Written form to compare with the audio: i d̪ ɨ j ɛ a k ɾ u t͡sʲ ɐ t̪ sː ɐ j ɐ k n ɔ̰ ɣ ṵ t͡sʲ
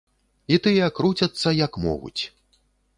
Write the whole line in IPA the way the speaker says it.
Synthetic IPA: i t̪ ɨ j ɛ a k ɾ u t͡sʲ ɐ t̪ sː ɐ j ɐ k m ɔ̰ ɣ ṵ t͡sʲ